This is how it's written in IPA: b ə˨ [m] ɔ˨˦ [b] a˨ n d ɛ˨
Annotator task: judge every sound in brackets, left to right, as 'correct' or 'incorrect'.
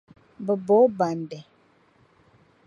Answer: incorrect, correct

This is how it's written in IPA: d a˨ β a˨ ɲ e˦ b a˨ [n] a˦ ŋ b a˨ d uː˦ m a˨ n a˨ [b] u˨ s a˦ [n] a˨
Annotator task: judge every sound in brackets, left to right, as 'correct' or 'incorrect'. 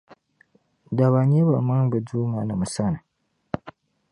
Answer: incorrect, incorrect, correct

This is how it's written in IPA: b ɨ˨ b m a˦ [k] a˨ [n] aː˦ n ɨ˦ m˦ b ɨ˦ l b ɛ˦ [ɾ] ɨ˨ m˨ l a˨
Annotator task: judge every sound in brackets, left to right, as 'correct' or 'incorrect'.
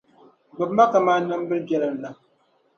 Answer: correct, incorrect, incorrect

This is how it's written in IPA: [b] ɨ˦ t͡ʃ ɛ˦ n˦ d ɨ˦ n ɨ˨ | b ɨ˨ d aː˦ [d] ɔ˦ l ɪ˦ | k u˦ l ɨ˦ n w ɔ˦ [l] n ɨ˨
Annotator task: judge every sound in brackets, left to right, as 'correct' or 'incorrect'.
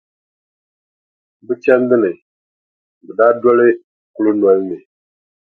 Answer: correct, correct, correct

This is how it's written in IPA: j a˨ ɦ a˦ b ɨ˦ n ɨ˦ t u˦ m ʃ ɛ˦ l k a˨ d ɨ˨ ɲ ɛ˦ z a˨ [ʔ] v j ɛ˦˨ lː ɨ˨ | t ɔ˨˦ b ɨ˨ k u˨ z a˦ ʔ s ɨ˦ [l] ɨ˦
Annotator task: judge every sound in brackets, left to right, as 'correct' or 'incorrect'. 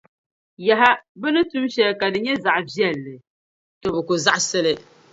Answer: correct, correct

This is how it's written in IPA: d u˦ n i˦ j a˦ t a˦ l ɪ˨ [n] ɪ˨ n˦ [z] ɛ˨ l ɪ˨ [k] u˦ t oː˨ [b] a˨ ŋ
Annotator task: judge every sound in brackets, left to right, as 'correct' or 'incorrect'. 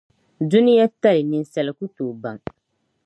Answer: correct, incorrect, correct, correct

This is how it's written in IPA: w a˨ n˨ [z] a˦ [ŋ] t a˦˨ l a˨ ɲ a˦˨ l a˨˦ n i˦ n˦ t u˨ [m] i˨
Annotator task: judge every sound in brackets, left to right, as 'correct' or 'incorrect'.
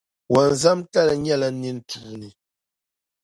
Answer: correct, incorrect, incorrect

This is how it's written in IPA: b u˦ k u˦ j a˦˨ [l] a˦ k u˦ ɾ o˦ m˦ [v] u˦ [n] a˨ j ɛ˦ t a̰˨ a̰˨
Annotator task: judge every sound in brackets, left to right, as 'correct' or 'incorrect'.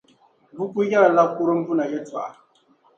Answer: correct, incorrect, correct

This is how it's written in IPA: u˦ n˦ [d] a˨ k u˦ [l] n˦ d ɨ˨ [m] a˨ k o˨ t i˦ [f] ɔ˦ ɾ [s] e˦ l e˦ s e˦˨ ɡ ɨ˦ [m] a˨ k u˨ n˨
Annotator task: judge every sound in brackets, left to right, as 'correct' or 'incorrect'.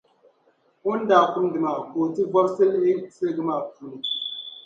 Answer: correct, incorrect, correct, incorrect, correct, correct

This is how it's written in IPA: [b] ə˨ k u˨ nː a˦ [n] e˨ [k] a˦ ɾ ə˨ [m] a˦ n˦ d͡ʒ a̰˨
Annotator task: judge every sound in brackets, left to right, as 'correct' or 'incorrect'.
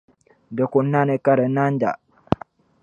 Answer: incorrect, correct, correct, incorrect

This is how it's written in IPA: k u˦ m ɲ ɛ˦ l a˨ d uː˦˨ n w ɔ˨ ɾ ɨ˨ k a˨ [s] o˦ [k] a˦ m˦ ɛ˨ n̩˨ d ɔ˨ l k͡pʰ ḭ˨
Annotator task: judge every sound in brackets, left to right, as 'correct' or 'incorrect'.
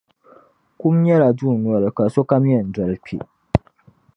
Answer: correct, correct

